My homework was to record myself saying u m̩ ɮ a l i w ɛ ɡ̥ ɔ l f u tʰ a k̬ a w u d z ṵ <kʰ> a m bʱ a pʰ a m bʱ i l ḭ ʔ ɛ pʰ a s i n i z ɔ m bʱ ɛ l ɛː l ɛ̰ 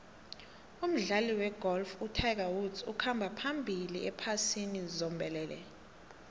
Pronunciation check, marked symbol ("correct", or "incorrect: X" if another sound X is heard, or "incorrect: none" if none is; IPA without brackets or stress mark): correct